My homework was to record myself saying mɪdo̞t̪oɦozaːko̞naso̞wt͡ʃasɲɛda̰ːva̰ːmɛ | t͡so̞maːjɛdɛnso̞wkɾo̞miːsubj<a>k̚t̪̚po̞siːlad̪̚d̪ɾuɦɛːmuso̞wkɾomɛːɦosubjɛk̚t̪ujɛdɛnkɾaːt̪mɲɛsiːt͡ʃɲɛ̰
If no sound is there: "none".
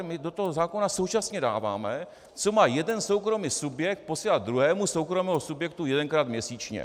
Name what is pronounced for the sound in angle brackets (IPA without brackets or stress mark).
ɛ